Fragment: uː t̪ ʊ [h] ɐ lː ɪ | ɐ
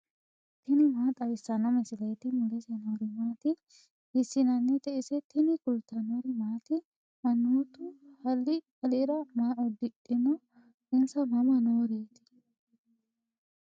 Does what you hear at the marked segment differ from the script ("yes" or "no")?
no